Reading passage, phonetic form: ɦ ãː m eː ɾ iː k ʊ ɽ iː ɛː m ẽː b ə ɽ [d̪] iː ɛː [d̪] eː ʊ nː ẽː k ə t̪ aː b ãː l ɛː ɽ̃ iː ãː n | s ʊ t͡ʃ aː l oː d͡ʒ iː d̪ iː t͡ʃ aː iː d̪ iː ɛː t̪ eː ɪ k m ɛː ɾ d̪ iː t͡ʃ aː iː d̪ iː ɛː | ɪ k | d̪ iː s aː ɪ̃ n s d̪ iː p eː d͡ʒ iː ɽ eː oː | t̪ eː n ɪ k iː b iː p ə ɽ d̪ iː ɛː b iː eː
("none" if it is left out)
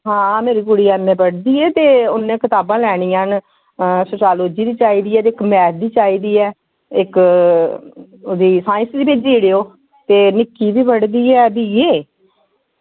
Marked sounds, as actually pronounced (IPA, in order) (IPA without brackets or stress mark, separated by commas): d̪, t̪